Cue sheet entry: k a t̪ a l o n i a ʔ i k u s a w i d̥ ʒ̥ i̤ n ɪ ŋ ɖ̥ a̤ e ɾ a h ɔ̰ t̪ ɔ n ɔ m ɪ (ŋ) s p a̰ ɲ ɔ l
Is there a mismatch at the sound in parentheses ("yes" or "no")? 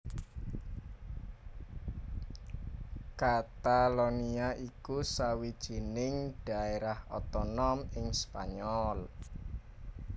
no